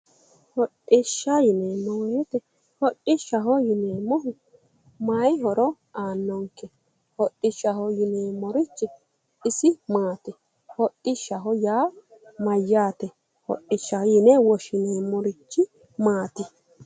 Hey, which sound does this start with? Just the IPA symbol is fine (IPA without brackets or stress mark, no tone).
h